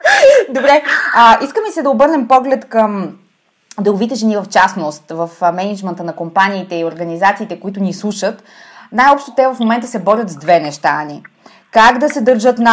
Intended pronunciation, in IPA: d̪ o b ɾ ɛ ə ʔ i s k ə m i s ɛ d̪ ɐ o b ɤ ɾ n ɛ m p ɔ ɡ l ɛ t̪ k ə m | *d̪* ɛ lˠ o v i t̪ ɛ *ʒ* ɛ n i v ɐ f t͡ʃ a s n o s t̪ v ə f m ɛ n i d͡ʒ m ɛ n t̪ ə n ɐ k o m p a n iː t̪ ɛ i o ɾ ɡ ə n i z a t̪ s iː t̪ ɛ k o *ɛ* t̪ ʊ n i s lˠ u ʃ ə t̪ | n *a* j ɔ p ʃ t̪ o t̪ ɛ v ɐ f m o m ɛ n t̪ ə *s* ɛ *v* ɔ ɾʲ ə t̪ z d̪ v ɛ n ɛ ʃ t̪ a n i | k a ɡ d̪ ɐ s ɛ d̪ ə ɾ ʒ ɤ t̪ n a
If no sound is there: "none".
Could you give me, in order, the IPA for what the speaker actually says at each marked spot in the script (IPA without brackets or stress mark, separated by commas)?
d̪, ʒ, i, a, s, b